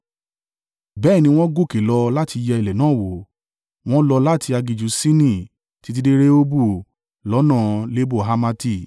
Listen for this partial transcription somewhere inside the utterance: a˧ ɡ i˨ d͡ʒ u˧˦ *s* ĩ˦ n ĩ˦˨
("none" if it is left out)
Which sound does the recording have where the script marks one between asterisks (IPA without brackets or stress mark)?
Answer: s